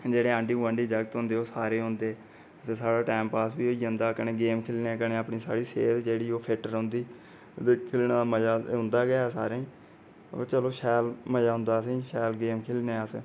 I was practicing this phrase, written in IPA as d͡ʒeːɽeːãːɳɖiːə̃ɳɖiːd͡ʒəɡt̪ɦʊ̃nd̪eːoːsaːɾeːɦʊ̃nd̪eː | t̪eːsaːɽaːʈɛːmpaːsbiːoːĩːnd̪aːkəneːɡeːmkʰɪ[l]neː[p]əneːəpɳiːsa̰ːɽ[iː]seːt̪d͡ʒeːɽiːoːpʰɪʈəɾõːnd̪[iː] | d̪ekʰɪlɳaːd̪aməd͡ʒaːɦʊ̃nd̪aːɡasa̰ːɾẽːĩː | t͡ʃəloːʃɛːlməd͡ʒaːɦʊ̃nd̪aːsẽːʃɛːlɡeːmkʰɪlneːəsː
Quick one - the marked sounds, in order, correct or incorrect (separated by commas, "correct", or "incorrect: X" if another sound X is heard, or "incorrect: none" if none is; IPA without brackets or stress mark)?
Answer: correct, incorrect: k, correct, correct